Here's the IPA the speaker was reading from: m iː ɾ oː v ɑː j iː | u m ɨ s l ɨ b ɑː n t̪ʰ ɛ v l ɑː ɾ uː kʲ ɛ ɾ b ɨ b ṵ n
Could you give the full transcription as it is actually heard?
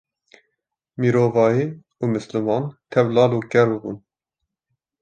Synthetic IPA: m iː ɾ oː v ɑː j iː | u m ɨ s l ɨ m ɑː n t̪ʰ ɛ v l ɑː l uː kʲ ɛ ɾ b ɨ b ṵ n